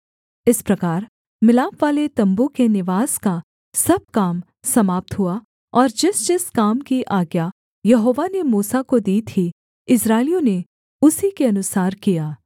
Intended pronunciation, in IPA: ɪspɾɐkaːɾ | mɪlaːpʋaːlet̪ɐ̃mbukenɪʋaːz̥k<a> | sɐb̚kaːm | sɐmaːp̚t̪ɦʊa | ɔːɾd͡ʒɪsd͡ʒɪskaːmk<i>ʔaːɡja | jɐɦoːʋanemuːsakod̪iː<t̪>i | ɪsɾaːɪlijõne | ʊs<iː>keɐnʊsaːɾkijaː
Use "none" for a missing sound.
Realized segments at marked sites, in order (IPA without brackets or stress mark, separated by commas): a, i, t̪ʰ, i